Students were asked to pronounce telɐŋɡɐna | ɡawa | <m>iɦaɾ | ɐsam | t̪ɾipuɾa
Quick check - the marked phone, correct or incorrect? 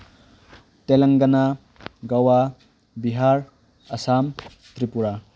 incorrect